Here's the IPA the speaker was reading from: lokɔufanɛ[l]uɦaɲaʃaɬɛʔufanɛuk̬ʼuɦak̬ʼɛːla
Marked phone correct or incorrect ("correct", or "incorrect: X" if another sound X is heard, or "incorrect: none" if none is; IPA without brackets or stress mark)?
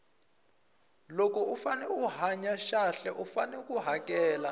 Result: incorrect: none